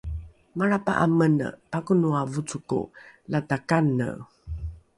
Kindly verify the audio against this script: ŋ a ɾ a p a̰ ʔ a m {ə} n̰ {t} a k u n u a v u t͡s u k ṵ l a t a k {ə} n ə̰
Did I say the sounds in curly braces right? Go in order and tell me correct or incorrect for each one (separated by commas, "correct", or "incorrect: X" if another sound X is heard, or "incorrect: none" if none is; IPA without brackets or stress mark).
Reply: correct, incorrect: p, incorrect: a